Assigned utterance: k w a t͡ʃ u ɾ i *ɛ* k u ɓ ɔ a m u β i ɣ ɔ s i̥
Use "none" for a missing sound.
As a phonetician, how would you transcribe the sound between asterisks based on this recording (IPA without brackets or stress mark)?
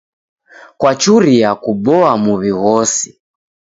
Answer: a